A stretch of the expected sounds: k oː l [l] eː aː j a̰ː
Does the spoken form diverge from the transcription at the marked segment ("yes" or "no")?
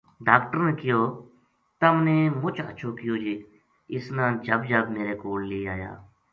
no